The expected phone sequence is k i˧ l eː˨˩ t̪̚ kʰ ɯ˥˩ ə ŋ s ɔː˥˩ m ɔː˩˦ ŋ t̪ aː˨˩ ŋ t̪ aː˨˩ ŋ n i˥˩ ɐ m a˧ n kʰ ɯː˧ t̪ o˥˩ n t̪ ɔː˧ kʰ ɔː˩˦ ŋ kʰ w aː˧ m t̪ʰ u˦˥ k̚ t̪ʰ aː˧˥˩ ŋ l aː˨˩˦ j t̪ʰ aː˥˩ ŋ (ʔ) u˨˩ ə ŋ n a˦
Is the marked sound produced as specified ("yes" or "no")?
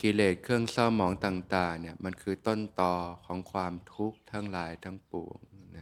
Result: no